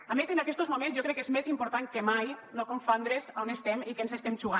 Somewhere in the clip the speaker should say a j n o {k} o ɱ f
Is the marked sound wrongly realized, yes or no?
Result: no